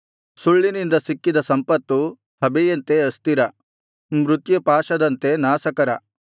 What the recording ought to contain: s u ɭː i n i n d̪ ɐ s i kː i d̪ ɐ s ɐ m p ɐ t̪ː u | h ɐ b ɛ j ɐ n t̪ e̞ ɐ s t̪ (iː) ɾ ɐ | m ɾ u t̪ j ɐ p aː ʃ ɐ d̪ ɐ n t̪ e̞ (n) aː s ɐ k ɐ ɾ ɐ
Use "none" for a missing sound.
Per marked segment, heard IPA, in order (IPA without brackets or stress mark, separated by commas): i, n